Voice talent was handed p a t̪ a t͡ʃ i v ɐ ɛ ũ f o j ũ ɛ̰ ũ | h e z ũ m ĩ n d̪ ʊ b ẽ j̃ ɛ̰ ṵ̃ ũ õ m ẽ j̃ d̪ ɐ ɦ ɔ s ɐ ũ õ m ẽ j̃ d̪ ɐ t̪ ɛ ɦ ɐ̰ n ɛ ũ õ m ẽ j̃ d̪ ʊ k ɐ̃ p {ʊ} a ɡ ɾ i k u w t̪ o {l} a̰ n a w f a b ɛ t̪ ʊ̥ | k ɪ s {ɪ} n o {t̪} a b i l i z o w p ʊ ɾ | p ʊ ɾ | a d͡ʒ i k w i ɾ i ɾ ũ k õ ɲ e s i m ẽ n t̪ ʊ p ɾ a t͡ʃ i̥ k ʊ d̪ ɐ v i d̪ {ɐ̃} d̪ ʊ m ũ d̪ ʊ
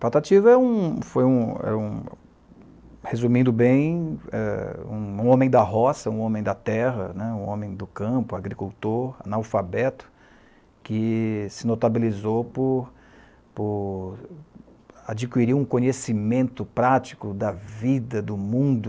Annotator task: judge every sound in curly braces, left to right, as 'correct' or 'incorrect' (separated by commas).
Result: correct, incorrect, correct, correct, incorrect